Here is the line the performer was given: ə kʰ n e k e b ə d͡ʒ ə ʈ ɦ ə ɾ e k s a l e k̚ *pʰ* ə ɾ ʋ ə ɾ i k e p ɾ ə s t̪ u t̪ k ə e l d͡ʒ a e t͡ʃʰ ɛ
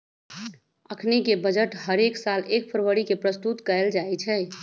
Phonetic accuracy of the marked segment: correct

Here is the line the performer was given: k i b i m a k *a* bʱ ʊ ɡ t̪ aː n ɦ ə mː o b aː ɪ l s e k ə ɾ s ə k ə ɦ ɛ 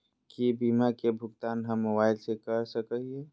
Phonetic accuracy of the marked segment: incorrect: e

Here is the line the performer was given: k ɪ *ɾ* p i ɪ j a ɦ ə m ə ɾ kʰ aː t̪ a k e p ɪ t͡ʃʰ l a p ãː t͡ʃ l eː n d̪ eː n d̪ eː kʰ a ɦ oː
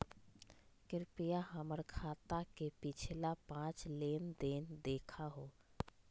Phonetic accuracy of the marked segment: correct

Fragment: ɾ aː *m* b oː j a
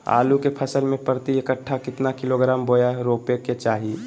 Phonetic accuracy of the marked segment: correct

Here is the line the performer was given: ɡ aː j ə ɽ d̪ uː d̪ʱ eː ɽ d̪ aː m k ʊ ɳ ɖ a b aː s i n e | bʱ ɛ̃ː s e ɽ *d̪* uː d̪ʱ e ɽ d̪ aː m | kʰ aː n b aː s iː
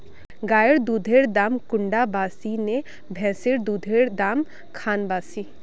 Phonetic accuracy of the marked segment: correct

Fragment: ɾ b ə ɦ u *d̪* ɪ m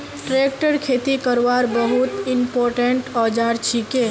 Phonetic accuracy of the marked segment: incorrect: t̪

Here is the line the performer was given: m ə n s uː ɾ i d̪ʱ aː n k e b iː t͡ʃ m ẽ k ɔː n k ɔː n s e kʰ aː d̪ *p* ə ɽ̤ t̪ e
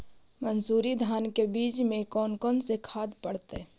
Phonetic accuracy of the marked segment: correct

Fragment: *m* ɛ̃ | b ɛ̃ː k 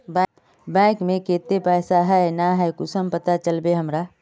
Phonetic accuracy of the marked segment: incorrect: b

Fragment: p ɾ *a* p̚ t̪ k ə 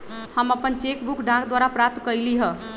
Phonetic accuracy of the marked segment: correct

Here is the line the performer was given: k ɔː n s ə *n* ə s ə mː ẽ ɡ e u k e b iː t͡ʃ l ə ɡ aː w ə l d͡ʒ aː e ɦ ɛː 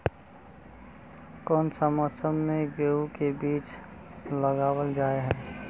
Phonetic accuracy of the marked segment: incorrect: m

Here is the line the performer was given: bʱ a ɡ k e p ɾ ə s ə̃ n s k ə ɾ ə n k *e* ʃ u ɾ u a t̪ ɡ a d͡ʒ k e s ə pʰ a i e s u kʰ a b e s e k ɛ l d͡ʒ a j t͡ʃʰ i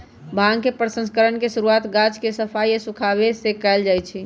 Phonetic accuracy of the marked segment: correct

